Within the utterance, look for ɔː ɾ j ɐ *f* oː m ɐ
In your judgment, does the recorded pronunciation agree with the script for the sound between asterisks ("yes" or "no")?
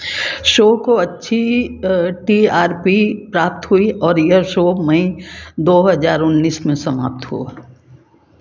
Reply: no